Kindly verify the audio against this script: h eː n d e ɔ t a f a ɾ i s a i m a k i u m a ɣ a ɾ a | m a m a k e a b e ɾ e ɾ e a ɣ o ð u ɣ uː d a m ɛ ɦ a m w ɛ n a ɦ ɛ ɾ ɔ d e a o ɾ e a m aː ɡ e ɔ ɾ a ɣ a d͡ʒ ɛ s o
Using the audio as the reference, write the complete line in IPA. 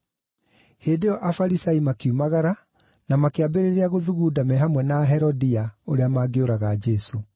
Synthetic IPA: h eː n d e ɔ ʔ a f a ɾ i s a i m a k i u m a ɣ a ɾ a | n a m a k e a b e ɾ e ɾ e a ɣ o ð u ɣ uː d a m ɛ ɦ a m w ɛ n a ɦ ɛ ɾ ɔ d i a o ɾ e a m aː ɡ e o ɾ a ɣ a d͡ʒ ɛ s o